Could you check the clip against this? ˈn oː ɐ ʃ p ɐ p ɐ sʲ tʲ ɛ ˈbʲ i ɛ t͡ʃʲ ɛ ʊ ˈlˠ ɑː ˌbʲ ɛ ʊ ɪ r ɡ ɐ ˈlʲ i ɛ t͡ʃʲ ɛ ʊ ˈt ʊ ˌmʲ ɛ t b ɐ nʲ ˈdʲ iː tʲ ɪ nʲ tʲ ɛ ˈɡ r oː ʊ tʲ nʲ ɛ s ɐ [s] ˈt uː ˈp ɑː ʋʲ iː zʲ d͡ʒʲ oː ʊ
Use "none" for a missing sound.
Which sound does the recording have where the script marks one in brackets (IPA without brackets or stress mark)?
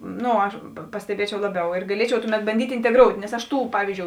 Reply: ʃ